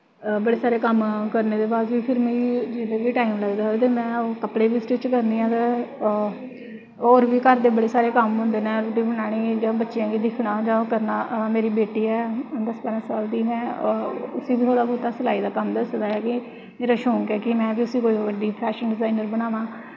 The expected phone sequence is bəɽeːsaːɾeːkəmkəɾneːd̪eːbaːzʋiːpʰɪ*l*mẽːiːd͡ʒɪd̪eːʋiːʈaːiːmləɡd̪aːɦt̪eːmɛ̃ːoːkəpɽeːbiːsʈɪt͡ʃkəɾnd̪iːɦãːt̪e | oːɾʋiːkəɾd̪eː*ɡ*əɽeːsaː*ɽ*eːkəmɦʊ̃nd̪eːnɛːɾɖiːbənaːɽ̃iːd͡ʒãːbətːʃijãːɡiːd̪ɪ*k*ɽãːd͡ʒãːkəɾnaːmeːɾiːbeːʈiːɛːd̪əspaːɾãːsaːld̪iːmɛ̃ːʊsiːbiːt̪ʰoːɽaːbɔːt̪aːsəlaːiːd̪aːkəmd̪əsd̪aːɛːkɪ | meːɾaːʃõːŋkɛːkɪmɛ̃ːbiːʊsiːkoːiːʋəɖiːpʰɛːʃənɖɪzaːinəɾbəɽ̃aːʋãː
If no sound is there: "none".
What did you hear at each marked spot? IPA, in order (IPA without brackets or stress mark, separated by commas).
ɾ, b, ɾ, kʰ